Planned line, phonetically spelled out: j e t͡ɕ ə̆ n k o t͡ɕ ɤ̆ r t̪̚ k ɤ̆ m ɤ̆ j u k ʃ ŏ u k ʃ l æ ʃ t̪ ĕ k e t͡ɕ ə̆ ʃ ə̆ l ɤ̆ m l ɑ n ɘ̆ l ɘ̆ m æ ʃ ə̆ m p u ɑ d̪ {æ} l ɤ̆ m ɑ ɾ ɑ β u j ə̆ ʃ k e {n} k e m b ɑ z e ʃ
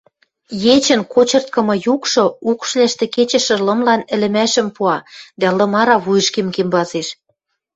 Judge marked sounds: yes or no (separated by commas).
yes, no